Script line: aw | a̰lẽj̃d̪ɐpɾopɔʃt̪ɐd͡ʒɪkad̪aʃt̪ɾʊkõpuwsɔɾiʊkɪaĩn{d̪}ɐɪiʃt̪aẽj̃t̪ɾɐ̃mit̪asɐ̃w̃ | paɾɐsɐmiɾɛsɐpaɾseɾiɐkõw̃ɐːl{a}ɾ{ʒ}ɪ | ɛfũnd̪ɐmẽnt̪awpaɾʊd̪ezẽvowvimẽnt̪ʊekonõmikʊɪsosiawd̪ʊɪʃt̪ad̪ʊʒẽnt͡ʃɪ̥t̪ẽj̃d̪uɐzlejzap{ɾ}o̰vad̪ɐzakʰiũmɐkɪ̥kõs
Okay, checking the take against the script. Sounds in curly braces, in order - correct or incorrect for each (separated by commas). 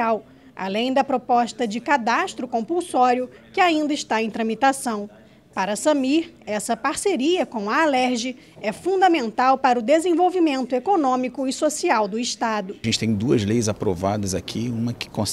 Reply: correct, incorrect, correct, correct